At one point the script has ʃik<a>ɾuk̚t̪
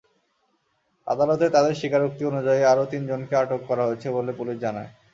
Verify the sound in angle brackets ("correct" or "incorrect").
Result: correct